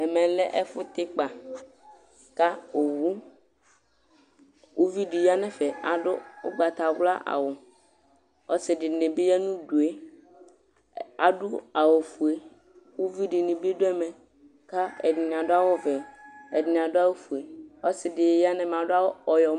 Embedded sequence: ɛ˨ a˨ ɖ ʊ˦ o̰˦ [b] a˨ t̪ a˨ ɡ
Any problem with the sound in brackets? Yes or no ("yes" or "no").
yes